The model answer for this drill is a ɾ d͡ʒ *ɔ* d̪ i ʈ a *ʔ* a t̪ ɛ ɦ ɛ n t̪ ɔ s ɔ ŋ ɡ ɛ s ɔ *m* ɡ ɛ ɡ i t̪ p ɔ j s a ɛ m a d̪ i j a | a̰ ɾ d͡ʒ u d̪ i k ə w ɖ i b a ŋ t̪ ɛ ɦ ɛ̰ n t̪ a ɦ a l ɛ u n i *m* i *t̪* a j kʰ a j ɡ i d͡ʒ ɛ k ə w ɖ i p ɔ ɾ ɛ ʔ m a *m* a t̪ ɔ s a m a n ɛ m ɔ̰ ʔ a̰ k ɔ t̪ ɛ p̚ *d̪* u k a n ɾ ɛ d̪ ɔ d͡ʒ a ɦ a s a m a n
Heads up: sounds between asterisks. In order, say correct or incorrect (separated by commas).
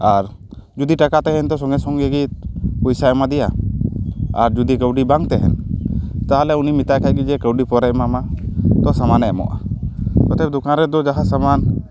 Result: incorrect, incorrect, incorrect, correct, correct, correct, correct